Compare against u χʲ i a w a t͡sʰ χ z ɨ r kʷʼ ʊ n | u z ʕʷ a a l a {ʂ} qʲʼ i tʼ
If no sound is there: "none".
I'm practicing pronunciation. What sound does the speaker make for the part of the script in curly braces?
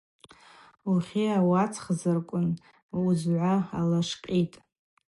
ʂ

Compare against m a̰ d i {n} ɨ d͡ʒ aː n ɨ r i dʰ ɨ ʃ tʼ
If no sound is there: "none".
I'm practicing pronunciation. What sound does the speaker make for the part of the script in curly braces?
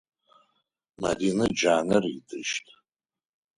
n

